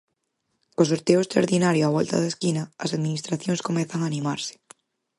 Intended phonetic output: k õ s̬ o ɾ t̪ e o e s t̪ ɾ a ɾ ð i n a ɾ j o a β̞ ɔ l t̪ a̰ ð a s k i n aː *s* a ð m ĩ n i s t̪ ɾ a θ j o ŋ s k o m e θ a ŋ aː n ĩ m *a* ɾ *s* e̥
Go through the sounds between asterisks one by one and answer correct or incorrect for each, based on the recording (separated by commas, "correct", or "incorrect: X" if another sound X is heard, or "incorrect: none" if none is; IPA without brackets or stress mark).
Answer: correct, correct, correct